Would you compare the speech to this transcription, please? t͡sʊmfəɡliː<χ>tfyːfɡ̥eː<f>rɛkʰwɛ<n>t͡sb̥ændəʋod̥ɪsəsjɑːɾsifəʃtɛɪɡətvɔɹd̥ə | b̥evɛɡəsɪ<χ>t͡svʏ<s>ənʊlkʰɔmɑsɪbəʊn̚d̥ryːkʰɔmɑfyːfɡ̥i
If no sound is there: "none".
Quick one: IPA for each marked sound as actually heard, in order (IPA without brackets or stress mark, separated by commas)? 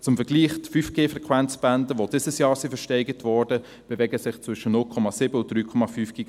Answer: χ, f, n, χ, ʃ